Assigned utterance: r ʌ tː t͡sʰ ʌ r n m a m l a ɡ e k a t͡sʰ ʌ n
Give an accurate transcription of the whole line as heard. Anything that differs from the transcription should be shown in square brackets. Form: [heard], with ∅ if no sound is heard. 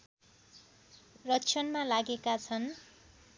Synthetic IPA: r ʌ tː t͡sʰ ʌ [∅] n m a [∅] l a ɡ e k a t͡sʰ ʌ n